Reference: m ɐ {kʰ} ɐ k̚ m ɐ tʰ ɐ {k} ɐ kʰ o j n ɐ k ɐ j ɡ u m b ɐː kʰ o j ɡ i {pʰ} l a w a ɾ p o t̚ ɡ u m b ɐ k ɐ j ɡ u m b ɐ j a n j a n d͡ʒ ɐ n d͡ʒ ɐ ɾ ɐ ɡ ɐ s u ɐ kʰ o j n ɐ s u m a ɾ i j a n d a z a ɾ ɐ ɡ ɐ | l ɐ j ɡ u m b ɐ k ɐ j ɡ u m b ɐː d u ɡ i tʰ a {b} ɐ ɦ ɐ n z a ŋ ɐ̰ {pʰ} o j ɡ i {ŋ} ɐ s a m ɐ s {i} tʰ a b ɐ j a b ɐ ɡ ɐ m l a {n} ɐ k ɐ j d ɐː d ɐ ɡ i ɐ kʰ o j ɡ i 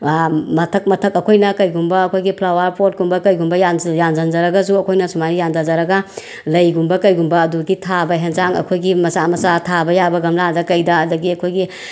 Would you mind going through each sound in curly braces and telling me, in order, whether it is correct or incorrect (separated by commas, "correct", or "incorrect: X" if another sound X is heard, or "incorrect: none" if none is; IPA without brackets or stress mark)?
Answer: incorrect: tʰ, correct, correct, correct, incorrect: kʰ, incorrect: m, incorrect: a, incorrect: d